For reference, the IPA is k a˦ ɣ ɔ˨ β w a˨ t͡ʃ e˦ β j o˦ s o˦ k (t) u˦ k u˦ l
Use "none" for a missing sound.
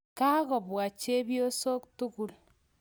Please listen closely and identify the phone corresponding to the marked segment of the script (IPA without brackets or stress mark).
t